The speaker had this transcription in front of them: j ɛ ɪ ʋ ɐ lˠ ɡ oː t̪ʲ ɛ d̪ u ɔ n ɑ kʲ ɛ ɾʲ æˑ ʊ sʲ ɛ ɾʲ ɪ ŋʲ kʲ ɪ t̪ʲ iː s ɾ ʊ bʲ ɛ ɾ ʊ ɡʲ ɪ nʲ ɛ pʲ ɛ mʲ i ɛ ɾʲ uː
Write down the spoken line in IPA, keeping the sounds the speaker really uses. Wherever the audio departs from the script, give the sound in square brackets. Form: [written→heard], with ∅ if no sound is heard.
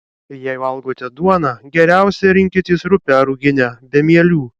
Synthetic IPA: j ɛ ɪ ʋ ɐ lˠ ɡ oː t̪ʲ ɛ d̪ u ɔ n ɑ [kʲ→ɡʲ] ɛ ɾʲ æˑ ʊ sʲ ɛ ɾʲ ɪ ŋʲ kʲ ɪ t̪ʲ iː s ɾ ʊ [bʲ→pʲ] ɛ ɾ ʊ ɡʲ ɪ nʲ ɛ [pʲ→bʲ] ɛ mʲ i ɛ [ɾʲ→lʲ] uː